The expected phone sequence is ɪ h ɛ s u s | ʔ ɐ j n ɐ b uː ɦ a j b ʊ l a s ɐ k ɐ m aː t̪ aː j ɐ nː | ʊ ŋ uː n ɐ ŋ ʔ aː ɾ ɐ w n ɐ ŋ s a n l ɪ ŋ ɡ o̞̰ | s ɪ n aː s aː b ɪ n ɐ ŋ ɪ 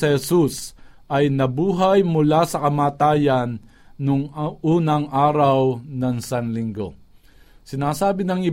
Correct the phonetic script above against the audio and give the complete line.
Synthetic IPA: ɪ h ɛ s u s | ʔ ɐ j n ɐ b uː ɦ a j m ʊ l a s ɐ k ɐ m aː t̪ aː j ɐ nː | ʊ ŋ uː n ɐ ŋ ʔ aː ɾ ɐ w n ɐ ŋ s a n l ɪ ŋ ɡ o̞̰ | s ɪ n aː s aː b ɪ n ɐ ŋ ɪ